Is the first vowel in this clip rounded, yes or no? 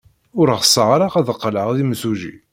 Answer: yes